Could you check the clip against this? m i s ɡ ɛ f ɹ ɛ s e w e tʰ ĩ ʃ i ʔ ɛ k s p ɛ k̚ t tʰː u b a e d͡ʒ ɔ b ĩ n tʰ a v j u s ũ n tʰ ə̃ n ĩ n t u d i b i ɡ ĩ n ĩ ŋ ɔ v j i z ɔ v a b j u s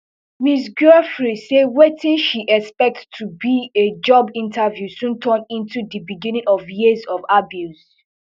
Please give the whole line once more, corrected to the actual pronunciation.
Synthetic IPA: m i s ɡ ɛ f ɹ i s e w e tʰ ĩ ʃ i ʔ ɛ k s p ɛ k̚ t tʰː u b i e d͡ʒ ɔ b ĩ n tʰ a v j u s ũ n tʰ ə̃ n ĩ n t u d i b i ɡ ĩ n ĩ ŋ ɔ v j i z ɔ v a b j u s